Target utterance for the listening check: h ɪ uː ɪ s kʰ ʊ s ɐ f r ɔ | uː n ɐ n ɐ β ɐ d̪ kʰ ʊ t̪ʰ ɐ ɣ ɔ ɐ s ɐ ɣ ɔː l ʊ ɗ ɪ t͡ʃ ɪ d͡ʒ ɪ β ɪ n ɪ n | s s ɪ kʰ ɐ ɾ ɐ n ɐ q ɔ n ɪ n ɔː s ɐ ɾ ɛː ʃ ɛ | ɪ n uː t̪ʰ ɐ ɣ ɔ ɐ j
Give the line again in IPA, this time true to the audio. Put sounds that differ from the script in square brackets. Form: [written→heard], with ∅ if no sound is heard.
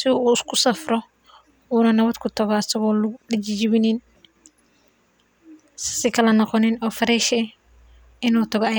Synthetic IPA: [h→s] ɪ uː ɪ s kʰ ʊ s ɐ f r ɔ | uː n ɐ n ɐ β ɐ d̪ kʰ ʊ t̪ʰ ɐ ɣ ɔ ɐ s ɐ ɣ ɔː l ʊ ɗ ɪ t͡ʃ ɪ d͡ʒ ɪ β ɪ n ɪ n | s s ɪ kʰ ɐ [ɾ→l] ɐ n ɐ q ɔ n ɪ n ɔː [s→f] ɐ ɾ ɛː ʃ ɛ | ɪ n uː t̪ʰ ɐ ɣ ɔ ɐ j

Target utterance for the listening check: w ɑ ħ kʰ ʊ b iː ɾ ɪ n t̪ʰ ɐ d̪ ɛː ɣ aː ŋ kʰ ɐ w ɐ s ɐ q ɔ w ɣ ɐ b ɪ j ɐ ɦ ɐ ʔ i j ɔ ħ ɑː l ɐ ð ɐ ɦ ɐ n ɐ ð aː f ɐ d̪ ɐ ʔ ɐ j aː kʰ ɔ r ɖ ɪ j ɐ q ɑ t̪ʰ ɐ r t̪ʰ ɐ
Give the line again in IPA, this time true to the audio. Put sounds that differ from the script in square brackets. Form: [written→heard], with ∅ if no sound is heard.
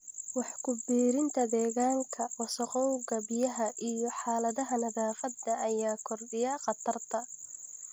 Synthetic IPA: w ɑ ħ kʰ ʊ b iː ɾ ɪ n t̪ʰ ɐ d̪ ɛː ɣ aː ŋ kʰ ɐ w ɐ s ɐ q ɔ w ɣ ɐ b ɪ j ɐ ɦ ɐ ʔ i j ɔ ħ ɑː l ɐ ð ɐ ɦ ɐ n ɐ ð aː f ɐ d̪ ɐ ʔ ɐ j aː kʰ ɔ r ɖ ɪ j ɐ q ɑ t̪ʰ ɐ r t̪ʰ ɐ

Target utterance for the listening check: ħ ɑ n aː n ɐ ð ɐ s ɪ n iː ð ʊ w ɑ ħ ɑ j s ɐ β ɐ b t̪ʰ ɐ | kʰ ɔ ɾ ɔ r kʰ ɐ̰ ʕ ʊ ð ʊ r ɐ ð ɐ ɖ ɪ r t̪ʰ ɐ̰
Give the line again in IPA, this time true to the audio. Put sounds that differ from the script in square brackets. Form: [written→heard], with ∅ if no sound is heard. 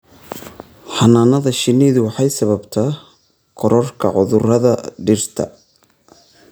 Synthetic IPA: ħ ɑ n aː n ɐ ð ɐ [s→ʃ] ɪ n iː ð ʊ w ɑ ħ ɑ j s ɐ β ɐ b t̪ʰ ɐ | kʰ ɔ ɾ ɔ r kʰ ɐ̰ ʕ ʊ ð ʊ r ɐ ð ɐ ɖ ɪ r t̪ʰ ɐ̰

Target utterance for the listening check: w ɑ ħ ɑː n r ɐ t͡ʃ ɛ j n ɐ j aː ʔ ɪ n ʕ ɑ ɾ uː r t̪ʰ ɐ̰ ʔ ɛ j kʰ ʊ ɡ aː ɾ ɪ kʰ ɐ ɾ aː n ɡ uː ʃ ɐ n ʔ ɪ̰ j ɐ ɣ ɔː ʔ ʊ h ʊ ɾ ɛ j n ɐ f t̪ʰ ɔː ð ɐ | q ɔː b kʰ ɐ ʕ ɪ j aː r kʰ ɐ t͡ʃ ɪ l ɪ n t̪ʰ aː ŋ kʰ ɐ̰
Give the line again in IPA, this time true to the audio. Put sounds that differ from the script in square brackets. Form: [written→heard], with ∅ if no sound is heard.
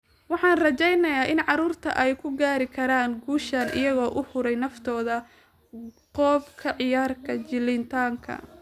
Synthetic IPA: w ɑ ħ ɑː n r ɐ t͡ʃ ɛ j n ɐ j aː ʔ ɪ n ʕ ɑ ɾ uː r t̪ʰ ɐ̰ ʔ ɛ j kʰ ʊ ɡ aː ɾ ɪ kʰ ɐ ɾ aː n ɡ uː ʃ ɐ n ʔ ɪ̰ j ɐ ɣ ɔː ʔ ʊ h ʊ ɾ ɛ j n ɐ f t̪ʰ ɔː ð ɐ | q ɔː b kʰ ɐ ʕ ɪ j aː r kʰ ɐ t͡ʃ ɪ l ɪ n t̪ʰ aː ŋ kʰ ɐ̰

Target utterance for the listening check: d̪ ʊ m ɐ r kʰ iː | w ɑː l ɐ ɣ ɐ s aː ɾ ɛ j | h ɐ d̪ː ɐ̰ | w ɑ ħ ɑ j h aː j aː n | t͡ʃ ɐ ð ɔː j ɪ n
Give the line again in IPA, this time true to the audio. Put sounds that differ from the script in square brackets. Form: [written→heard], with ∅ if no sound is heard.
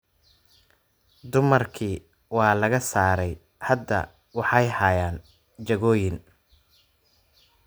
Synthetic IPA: d̪ ʊ m ɐ r kʰ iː | w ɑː l ɐ ɣ ɐ s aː ɾ ɛ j | h ɐ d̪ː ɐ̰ | w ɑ ħ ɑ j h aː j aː n | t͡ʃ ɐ [ð→ɣ] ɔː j ɪ n

